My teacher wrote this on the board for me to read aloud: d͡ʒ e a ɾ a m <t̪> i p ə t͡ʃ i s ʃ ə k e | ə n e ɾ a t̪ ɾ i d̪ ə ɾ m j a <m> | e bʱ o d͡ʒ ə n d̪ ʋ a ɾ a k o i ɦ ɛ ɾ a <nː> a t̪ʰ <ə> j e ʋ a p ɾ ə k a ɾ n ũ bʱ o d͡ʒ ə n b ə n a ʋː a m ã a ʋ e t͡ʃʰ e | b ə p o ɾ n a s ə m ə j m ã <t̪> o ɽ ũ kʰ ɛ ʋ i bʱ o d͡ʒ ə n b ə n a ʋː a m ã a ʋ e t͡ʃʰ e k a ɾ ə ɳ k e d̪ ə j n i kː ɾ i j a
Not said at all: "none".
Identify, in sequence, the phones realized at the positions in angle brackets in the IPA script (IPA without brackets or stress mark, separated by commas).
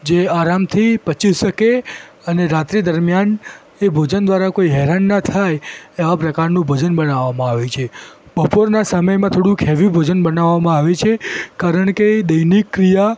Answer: t̪ʰ, n, nː, a, t̪ʰ